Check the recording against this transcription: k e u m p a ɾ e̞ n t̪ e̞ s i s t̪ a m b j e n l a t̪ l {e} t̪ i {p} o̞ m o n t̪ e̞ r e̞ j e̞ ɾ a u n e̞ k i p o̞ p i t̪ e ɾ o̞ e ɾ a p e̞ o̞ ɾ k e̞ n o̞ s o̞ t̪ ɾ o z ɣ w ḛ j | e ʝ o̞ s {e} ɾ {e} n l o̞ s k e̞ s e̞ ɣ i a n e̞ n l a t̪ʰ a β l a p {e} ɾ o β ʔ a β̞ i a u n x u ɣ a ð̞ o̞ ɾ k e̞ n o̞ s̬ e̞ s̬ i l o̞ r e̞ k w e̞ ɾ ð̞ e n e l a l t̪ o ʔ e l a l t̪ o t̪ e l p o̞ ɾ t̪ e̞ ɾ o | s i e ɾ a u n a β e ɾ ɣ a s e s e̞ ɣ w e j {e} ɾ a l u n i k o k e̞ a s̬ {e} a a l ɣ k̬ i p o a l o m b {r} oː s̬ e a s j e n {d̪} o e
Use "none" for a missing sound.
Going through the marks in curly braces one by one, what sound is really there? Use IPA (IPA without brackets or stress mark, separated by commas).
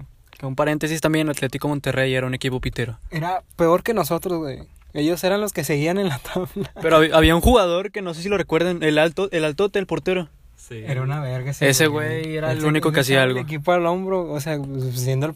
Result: e, k, e, a, e, e, i, ɾ, d̪